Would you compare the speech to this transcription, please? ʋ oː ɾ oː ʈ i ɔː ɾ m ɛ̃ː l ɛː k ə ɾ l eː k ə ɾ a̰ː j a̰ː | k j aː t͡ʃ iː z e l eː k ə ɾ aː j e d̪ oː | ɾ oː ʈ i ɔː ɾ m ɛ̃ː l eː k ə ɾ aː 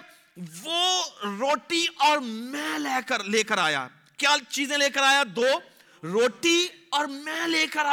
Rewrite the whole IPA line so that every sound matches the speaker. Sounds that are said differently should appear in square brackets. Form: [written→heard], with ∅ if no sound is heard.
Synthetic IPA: ʋ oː ɾ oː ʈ i ɔː ɾ m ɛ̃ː l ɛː k ə ɾ l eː k ə ɾ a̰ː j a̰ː | k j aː t͡ʃ iː z [e→ẽ] l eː k ə ɾ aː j [e→a] d̪ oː | ɾ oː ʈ i ɔː ɾ m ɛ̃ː l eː k ə ɾ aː